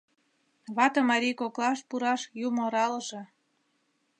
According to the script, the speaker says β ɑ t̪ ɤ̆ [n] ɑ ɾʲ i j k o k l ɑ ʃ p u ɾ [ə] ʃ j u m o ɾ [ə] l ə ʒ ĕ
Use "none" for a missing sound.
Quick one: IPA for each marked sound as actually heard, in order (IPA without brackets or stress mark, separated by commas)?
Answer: m, ɑ, ɑ